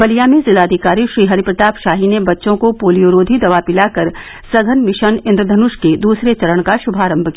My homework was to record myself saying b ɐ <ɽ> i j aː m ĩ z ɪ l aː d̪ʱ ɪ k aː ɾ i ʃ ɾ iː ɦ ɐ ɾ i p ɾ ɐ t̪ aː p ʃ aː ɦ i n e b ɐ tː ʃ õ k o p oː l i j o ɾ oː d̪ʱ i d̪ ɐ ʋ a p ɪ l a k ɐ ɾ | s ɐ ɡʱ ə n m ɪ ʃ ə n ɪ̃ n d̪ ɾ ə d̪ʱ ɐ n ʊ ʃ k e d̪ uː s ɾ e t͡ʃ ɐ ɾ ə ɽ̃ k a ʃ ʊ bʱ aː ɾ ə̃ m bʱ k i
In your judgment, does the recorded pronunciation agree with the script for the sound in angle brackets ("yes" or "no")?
no